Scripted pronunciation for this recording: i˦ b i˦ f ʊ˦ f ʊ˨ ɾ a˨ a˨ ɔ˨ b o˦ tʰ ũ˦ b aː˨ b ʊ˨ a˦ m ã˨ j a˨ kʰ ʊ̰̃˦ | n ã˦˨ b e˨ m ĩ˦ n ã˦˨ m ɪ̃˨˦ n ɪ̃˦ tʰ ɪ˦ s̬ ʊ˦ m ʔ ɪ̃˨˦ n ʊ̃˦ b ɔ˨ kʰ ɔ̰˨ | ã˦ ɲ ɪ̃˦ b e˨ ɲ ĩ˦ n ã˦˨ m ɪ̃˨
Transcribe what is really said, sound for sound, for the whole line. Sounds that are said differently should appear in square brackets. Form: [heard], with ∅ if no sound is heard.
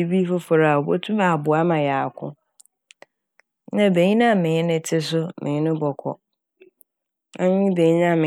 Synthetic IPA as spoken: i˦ b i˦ f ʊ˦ f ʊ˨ ɾ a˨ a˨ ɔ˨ b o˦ tʰ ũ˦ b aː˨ b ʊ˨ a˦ m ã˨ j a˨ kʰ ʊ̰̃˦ | n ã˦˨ b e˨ [ɲ] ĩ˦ n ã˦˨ m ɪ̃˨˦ n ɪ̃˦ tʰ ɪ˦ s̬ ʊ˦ m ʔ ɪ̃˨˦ n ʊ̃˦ b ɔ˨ kʰ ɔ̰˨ | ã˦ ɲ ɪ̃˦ b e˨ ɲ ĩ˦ n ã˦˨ m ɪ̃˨